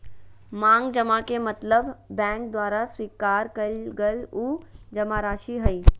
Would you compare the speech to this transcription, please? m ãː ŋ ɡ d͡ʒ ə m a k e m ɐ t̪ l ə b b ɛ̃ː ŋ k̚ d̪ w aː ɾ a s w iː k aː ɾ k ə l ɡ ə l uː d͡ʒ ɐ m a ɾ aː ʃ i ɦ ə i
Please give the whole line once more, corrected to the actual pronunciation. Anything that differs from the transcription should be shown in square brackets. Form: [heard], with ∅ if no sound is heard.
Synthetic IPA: m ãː ŋ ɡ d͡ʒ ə m a k e m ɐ t̪ l ə b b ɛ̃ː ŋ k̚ d̪ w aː ɾ a s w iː k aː ɾ k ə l ɡ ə l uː d͡ʒ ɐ m a ɾ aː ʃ i ɦ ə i